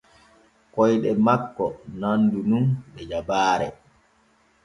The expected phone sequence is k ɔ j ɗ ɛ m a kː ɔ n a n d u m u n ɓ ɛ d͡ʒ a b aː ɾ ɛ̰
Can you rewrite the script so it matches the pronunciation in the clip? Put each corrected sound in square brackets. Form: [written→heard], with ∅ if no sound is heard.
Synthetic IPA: k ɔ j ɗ ɛ m a kː ɔ n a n d u [m→n] u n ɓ ɛ d͡ʒ a b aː ɾ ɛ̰